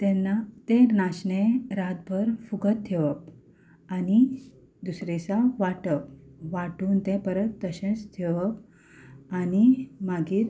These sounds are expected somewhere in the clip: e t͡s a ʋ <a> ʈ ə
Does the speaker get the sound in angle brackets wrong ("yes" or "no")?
no